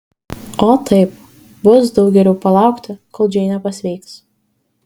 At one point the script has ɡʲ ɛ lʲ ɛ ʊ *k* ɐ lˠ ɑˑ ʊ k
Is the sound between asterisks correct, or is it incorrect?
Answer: incorrect